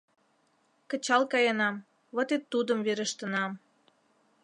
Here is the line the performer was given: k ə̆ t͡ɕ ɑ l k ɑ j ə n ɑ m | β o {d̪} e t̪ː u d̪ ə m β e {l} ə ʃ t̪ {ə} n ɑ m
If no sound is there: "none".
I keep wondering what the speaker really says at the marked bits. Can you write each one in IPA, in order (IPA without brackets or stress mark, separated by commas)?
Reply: t̪, ɾ, ə